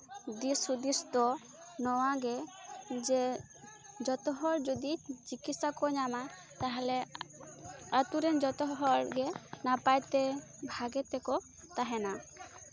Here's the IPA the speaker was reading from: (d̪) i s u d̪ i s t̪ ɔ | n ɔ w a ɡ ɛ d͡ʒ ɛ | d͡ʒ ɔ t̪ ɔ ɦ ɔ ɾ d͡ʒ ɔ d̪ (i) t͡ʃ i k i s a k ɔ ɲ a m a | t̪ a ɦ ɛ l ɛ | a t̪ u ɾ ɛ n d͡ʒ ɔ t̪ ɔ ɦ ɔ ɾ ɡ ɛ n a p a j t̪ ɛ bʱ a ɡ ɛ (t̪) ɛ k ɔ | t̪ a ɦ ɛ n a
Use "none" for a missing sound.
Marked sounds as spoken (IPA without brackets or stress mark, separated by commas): d̪, i, t̪